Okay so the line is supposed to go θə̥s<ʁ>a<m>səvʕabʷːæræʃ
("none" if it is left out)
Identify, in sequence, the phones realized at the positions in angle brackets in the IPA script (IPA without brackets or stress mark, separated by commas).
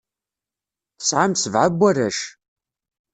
ʕ, m